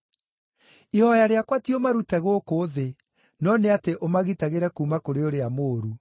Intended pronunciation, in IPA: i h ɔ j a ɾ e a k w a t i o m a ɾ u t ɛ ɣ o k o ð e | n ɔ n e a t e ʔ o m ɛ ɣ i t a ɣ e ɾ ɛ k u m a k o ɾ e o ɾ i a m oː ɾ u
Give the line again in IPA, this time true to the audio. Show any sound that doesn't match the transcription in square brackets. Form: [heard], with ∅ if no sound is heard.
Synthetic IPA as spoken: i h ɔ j a ɾ e a k w a t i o m a ɾ u t ɛ ɣ o k o ð e | n ɔ n e a t e ʔ o m [a] ɣ i t a ɣ e ɾ ɛ k u m a k o ɾ e o ɾ [e] a m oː ɾ u